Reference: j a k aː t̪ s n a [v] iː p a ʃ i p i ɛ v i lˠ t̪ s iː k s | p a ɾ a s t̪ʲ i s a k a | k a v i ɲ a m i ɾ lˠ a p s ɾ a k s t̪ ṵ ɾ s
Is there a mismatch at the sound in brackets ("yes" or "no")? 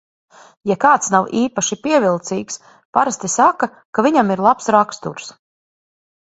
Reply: yes